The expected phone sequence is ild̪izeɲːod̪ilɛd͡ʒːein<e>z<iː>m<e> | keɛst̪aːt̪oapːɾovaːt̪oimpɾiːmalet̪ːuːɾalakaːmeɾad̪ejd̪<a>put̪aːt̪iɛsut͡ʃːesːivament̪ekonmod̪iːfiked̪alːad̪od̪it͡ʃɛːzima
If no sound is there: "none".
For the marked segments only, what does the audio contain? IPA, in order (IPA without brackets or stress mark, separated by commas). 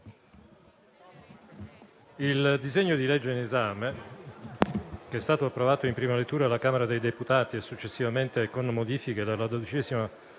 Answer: e, aː, e, e